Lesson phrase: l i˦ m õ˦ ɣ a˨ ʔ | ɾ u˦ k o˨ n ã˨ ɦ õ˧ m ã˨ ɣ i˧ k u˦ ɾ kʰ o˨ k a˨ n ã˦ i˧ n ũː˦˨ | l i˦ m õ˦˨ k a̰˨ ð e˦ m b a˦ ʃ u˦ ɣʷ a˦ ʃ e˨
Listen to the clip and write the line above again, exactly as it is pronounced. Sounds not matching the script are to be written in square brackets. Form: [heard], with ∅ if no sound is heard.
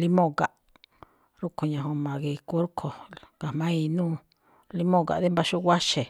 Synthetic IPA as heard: l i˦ m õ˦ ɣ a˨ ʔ | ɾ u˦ k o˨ [ɲ] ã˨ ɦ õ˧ m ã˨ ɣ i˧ k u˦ ɾ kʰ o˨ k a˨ [m] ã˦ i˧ n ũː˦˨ | l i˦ m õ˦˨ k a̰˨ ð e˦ m b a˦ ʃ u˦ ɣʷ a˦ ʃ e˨